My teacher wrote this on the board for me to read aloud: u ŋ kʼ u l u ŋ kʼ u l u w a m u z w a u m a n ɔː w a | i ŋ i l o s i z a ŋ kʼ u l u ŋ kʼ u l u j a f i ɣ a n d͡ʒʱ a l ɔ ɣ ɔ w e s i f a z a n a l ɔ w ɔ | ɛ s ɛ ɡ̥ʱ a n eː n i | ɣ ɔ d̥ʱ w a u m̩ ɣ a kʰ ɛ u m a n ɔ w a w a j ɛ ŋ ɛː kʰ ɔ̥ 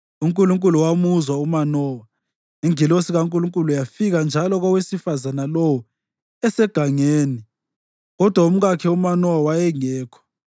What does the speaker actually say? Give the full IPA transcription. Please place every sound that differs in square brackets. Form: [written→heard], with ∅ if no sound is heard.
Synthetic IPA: u ŋ kʼ u l u ŋ kʼ u l u w a m u z w a u m a n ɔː w a | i ŋ i l o s i [z→ɣ] a ŋ kʼ u l u ŋ kʼ u l u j a f i ɣ a n d͡ʒʱ a l ɔ ɣ ɔ w e s i f a z a n a l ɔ w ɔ | ɛ s ɛ ɡ̥ʱ a [n→ŋ] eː n i | ɣ ɔ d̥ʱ w a u m̩ ɣ a kʰ ɛ u m a n ɔ w a w a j ɛ ŋ ɛː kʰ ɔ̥